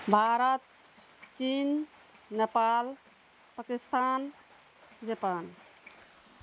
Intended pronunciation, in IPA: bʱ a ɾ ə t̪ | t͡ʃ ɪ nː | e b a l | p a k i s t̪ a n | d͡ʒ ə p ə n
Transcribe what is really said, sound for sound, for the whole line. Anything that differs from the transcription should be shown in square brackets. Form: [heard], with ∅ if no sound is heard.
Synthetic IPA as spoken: bʱ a ɾ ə t̪ | t͡ʃ [i] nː | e [p] a l | p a k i s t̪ a n | d͡ʒ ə p [a] n